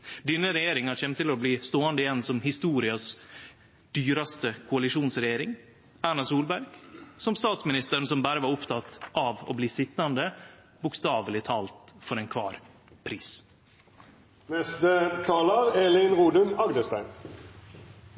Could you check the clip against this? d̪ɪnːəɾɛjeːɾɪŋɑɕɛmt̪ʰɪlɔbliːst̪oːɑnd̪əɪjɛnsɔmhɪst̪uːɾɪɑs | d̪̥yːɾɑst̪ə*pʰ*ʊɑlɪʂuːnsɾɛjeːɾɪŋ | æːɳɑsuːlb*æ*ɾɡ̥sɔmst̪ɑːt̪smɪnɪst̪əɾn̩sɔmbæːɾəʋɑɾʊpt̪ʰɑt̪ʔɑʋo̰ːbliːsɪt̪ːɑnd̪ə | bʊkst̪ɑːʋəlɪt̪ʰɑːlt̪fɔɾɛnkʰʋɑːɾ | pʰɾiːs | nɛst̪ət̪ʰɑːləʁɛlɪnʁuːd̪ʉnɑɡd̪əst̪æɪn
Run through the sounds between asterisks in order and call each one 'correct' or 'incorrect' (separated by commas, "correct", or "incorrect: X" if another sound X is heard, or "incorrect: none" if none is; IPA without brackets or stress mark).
incorrect: kʰ, correct